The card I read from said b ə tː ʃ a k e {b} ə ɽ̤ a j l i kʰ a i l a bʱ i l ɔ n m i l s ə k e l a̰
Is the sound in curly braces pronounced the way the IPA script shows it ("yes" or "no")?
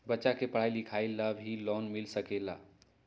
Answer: no